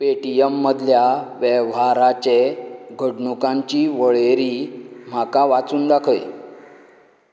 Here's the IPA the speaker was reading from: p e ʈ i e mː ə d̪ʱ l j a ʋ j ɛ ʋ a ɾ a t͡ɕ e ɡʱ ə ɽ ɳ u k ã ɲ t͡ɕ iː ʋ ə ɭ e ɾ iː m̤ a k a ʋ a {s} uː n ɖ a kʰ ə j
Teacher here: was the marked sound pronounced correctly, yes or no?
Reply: no